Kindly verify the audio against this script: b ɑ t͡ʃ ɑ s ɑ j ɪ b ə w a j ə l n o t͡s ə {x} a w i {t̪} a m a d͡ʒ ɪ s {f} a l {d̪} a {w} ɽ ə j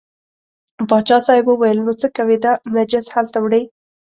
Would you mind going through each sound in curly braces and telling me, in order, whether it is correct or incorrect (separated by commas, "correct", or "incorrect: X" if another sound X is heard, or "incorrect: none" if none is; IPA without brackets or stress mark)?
incorrect: k, incorrect: d̪, incorrect: h, incorrect: t̪, correct